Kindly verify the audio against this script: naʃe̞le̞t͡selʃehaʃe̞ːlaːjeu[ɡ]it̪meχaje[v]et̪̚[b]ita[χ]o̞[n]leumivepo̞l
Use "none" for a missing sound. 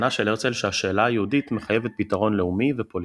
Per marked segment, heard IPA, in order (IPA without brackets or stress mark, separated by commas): d, v, p, ʁ, n